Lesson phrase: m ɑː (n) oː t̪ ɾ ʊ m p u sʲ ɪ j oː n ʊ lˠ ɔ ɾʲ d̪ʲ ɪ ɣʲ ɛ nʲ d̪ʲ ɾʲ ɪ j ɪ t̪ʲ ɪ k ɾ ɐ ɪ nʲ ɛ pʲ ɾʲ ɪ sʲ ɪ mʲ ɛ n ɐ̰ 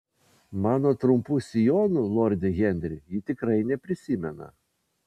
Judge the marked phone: correct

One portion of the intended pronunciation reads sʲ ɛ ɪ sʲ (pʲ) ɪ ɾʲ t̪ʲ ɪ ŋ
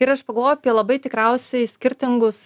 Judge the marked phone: incorrect: kʲ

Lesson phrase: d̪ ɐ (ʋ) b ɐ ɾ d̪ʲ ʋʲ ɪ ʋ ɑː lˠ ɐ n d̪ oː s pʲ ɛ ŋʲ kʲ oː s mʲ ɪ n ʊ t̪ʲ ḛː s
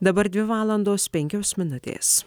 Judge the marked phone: incorrect: none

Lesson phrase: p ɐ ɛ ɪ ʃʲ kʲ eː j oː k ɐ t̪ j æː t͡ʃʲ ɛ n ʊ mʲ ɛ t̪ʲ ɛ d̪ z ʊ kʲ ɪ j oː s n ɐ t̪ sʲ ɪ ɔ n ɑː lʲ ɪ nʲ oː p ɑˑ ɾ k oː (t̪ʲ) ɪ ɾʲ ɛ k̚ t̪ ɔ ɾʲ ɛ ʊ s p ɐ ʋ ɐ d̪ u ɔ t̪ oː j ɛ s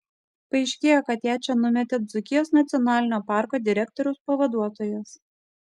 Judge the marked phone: incorrect: d̪ʲ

